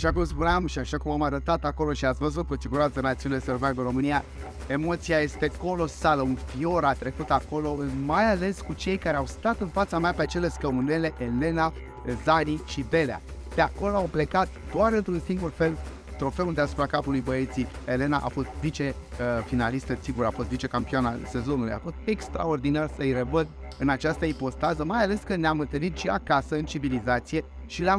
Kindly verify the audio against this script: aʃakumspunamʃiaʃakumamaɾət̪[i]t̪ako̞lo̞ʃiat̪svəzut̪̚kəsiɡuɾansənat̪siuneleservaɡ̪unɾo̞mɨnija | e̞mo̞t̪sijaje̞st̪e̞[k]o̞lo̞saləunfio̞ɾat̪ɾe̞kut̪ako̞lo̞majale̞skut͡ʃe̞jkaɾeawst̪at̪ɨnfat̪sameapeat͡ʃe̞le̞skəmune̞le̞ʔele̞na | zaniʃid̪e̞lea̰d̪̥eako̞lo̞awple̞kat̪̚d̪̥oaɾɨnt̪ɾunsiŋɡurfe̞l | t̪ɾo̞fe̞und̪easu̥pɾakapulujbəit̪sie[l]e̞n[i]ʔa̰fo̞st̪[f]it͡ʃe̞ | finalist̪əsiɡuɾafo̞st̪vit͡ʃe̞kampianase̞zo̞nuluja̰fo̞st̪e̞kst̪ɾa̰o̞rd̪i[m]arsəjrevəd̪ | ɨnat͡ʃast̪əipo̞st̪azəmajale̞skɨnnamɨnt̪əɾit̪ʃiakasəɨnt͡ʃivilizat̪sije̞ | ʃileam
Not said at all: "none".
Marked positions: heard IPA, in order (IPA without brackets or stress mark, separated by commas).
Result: a, k, l, a, v, n